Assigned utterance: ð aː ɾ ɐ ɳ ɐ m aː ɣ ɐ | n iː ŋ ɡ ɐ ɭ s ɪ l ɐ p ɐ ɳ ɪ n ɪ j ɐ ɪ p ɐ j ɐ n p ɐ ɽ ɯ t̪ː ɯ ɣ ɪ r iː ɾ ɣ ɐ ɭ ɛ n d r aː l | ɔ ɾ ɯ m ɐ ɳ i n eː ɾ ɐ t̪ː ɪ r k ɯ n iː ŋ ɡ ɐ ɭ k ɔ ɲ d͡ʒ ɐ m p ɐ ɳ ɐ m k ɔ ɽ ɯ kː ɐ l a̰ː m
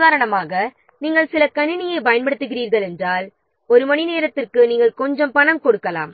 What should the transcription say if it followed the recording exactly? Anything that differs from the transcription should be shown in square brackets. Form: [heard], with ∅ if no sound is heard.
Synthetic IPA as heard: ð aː ɾ ɐ ɳ ɐ m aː ɣ ɐ | n iː ŋ ɡ ɐ ɭ s ɪ l ɐ [k] ɐ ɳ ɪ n ɪ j ɐ ɪ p ɐ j ɐ n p ɐ ɽ ɯ t̪ː ɯ ɣ ɪ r iː ɾ ɣ ɐ ɭ ɛ n d r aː l | ɔ ɾ ɯ m ɐ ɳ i n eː ɾ ɐ t̪ː ɪ r k ɯ n iː ŋ ɡ ɐ ɭ k ɔ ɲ d͡ʒ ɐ m p ɐ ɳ ɐ m k ɔ ɽ ɯ kː ɐ l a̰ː m